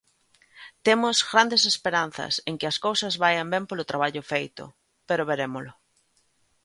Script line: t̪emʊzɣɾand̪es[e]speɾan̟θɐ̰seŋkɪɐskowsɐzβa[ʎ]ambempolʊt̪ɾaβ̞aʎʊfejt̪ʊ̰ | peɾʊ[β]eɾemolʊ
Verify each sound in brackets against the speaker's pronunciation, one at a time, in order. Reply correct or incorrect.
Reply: correct, incorrect, correct

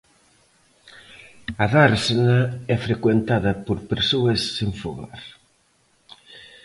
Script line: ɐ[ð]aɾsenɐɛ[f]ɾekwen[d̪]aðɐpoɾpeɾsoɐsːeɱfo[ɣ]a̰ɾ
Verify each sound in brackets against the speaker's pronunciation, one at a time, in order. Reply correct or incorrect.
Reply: correct, correct, incorrect, correct

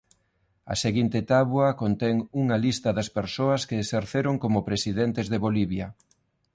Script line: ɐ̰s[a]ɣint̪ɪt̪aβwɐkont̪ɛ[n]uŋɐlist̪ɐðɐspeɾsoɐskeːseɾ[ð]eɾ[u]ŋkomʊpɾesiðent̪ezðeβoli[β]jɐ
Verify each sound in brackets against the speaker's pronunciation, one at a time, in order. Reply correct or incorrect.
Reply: incorrect, incorrect, incorrect, incorrect, correct

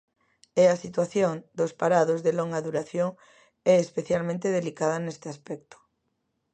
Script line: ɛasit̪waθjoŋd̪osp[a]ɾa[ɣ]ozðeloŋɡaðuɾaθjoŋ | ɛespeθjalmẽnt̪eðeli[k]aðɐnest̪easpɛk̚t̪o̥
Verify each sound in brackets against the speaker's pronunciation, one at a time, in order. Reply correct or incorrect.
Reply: correct, incorrect, correct

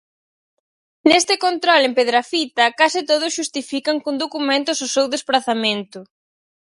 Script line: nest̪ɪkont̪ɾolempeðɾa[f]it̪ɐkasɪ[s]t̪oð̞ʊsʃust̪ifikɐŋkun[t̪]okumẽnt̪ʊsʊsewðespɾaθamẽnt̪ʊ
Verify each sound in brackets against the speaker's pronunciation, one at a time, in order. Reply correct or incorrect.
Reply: correct, incorrect, incorrect

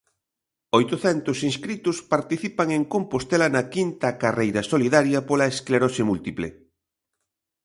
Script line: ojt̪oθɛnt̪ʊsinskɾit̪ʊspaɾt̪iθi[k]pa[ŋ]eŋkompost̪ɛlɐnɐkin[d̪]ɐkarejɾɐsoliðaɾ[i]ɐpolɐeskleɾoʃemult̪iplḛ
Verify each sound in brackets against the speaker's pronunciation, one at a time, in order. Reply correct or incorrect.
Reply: incorrect, correct, incorrect, incorrect

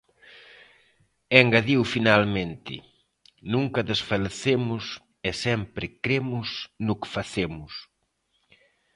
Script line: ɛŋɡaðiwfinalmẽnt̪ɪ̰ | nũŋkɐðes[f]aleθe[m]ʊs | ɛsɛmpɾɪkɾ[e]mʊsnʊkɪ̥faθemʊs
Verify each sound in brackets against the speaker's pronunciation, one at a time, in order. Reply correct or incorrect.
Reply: correct, correct, correct

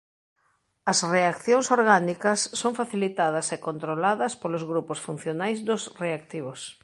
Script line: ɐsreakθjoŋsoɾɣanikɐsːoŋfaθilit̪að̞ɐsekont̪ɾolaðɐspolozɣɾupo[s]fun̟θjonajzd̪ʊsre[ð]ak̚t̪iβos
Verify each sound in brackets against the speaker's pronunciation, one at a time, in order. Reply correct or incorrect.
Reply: correct, incorrect

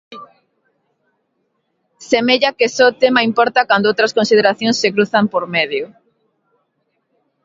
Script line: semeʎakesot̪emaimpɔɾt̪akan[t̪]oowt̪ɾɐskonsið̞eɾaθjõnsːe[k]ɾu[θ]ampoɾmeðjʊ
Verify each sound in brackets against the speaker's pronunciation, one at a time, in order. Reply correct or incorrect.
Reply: incorrect, correct, correct

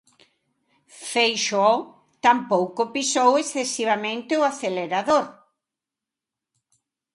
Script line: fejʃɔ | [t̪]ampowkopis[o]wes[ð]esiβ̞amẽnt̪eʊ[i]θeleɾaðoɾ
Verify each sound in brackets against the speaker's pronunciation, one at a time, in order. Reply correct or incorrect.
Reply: correct, correct, incorrect, incorrect

